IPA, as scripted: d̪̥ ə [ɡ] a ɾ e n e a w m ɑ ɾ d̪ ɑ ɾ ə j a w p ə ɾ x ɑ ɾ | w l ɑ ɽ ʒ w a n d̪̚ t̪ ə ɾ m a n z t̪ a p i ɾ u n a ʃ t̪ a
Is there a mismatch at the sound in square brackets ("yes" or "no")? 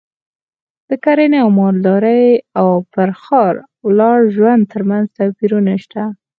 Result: yes